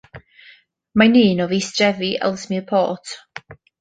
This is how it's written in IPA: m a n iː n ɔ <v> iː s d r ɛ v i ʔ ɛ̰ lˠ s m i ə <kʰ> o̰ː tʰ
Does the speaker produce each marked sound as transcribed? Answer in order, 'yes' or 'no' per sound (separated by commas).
yes, no